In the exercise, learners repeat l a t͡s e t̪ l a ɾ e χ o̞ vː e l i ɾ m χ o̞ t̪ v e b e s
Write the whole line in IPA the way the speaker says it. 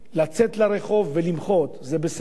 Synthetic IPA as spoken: l a t͡s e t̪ l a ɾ e χ o̞ vː e l i m χ o̞ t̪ z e b e s